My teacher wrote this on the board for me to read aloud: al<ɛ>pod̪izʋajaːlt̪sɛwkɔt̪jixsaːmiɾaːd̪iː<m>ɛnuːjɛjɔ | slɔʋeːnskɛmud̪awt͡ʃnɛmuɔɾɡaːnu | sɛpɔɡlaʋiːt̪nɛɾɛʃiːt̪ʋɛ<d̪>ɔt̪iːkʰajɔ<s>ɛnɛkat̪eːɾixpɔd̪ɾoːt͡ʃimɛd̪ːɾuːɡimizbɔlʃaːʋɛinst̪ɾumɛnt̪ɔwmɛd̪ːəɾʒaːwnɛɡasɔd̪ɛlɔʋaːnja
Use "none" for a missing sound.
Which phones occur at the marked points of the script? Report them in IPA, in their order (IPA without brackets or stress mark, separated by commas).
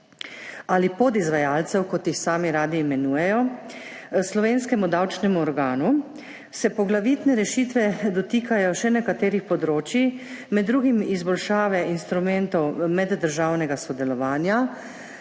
i, m, d̪, ʃ